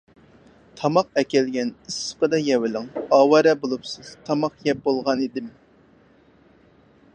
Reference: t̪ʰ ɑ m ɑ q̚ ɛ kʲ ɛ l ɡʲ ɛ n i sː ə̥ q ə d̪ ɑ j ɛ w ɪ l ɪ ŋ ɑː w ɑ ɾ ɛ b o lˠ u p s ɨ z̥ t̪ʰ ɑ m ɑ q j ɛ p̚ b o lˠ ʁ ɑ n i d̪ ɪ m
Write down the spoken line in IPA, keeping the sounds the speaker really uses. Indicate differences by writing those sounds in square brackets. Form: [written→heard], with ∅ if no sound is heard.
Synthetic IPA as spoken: t̪ʰ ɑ m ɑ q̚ ɛ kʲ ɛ l ɡʲ ɛ n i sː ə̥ q ə d̪ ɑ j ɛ w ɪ l ɪ ŋ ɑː w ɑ ɾ ɛ b o lˠ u p s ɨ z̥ t̪ʰ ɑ m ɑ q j ɛ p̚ b o lˠ ʁ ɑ n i d̪ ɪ m